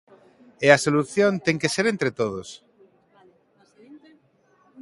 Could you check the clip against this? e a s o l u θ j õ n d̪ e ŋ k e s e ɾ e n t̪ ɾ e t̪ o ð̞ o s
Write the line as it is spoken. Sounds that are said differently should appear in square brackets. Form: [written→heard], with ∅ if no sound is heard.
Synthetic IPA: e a s o l u θ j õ n [d̪→t̪] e ŋ k e s e ɾ e n t̪ ɾ e t̪ o ð̞ o s